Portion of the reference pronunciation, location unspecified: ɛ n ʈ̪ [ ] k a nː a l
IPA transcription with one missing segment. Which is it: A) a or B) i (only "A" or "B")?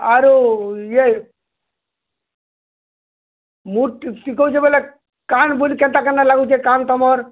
A